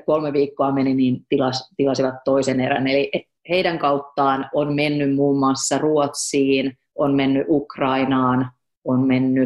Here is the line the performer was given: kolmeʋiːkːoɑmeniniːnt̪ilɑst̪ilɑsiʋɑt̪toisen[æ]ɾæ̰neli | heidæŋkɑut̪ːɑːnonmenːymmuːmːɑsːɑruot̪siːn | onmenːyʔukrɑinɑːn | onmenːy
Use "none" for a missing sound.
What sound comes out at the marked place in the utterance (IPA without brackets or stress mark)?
e